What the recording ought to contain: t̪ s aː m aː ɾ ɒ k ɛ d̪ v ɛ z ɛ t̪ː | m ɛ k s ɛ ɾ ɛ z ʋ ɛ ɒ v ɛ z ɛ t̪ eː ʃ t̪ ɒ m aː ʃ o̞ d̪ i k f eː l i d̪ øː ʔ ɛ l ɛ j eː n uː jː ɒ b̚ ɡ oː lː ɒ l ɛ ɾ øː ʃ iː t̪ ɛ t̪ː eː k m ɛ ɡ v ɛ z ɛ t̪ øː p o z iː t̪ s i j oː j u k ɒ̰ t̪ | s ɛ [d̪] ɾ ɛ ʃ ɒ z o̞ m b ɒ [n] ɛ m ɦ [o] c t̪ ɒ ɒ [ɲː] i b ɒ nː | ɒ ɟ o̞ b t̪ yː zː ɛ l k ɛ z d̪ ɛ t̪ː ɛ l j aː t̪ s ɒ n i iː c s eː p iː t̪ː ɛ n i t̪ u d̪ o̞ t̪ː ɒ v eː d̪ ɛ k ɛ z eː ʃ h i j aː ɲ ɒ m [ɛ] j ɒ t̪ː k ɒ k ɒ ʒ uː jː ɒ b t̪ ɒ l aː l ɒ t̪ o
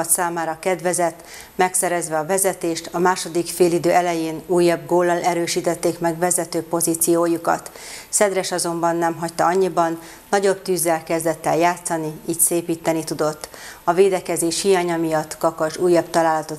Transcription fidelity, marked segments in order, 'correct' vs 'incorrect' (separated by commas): correct, incorrect, incorrect, correct, incorrect